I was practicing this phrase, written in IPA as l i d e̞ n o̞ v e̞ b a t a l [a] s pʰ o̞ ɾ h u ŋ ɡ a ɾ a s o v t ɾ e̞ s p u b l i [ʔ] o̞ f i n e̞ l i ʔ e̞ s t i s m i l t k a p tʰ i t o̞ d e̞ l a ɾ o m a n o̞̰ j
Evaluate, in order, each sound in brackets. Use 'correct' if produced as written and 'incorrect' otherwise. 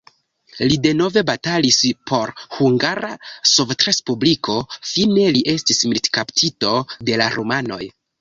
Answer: incorrect: i, incorrect: k

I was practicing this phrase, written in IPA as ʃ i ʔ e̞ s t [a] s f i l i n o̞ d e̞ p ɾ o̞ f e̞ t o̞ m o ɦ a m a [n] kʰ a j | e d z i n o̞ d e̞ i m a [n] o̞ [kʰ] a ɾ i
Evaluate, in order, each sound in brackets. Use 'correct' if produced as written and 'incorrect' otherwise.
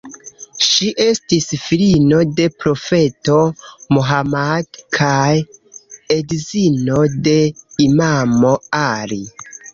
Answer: incorrect: i, incorrect: d, incorrect: m, incorrect: none

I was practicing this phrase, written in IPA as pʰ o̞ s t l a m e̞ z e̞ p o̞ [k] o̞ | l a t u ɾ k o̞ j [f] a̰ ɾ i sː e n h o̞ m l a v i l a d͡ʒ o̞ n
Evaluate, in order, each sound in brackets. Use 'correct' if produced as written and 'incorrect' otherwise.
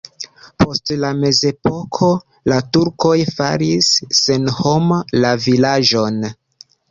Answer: incorrect: kʰ, correct

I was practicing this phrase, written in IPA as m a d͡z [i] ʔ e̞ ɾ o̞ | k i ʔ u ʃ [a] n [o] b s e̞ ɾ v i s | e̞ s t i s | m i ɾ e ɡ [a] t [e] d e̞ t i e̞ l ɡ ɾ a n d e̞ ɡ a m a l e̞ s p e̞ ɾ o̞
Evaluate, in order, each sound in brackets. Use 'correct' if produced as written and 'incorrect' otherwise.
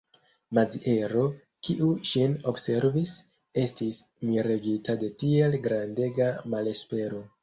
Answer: correct, incorrect: i, correct, incorrect: i, incorrect: a

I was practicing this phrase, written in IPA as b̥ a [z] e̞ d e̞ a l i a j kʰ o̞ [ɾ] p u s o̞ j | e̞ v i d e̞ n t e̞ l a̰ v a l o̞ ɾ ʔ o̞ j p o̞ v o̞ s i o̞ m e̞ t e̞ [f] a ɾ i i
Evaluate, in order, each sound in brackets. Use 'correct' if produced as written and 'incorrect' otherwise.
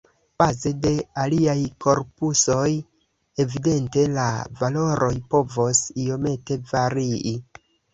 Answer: correct, correct, incorrect: v

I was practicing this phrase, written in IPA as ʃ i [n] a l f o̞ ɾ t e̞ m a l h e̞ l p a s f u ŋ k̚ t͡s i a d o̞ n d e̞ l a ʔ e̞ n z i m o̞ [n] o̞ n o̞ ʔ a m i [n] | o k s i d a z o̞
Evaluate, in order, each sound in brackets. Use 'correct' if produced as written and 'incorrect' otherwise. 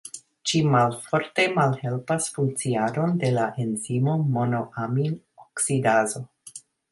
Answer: incorrect: m, incorrect: m, correct

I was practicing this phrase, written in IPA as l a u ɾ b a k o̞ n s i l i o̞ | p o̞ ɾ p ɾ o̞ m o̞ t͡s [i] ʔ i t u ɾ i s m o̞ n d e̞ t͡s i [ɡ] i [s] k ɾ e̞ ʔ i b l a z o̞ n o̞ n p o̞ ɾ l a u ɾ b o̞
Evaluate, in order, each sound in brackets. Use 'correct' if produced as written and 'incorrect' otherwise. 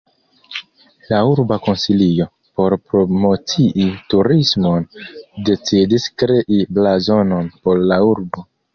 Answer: correct, incorrect: d, correct

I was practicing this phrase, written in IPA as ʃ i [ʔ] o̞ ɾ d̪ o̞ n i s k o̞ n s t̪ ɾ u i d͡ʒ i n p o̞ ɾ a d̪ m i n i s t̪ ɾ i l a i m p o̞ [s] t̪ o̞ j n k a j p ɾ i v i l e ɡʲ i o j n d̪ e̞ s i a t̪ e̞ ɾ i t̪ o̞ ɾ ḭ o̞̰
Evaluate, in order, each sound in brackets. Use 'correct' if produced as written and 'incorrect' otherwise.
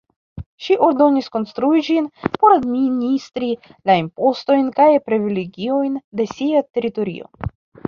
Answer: correct, correct

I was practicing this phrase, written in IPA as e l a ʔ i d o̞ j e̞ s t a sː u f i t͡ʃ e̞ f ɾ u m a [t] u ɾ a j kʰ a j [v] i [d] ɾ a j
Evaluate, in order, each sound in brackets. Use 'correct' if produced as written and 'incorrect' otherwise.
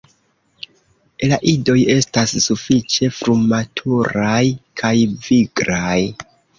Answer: incorrect: tʰ, correct, incorrect: ɡ

